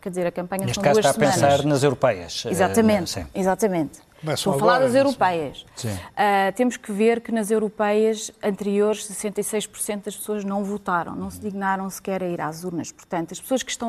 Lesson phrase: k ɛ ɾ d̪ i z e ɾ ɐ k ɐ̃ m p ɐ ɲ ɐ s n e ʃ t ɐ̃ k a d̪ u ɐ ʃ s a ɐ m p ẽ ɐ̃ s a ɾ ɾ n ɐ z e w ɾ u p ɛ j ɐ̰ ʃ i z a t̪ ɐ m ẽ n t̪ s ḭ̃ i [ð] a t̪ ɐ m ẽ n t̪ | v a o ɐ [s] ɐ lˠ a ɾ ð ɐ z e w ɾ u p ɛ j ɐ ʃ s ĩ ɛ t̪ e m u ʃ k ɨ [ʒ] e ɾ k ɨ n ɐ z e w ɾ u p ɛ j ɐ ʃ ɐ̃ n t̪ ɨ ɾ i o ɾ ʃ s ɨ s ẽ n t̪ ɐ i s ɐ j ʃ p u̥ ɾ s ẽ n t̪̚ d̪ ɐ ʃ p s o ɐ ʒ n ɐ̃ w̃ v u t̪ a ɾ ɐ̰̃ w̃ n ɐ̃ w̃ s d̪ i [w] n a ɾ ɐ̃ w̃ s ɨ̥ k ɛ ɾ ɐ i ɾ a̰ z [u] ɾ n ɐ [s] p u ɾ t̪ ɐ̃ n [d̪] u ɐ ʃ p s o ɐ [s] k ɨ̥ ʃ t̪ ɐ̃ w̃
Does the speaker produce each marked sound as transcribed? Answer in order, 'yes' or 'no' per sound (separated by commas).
no, no, no, no, yes, no, no, no